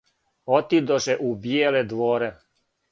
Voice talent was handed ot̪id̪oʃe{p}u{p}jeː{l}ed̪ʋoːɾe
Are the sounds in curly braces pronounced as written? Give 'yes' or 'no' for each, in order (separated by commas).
no, no, yes